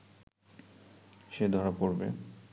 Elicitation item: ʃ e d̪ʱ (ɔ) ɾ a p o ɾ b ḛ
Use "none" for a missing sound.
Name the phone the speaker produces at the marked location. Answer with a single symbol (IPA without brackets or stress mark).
ɔ